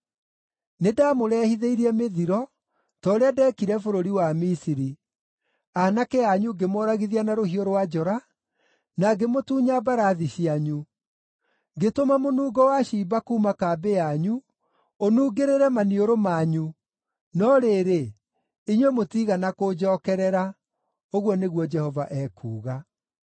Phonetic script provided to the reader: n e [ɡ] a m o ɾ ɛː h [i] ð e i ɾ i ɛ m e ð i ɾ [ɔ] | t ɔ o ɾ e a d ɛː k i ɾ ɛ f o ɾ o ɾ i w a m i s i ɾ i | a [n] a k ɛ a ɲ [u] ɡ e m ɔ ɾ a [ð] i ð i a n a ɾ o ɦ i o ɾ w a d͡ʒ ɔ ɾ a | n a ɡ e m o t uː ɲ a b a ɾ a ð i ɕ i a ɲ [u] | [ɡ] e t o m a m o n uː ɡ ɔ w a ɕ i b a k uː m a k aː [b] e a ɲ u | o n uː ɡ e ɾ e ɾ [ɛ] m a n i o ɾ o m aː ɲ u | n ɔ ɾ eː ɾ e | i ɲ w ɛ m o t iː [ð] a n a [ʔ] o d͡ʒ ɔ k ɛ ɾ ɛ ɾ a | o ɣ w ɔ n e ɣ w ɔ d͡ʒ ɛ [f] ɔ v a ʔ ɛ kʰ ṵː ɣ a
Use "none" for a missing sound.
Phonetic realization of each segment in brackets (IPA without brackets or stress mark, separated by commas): d, i, ɔ, n, u, ɣ, u, ɡ, b, ɛ, ɣ, k, h